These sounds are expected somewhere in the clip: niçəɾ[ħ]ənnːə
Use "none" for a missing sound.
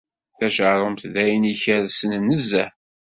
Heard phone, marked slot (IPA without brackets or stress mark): s